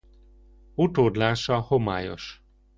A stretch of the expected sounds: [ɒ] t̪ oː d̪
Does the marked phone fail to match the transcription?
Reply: yes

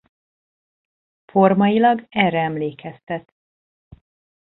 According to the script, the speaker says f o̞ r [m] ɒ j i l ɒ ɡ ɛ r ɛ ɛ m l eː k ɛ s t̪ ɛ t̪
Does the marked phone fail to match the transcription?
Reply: no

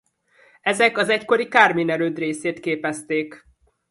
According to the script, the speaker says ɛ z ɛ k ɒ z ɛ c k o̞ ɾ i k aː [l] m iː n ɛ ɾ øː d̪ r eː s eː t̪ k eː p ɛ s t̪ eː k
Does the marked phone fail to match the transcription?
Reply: yes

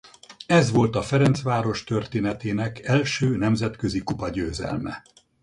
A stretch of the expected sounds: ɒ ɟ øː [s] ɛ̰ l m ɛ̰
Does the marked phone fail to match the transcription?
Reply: yes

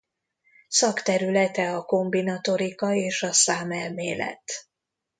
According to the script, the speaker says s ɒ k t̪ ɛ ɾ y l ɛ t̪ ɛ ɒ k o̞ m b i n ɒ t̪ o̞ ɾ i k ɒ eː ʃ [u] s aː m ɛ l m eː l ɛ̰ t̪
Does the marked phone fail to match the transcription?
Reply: yes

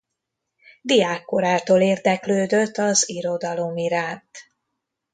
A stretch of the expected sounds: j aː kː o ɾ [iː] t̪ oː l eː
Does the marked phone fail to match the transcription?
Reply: yes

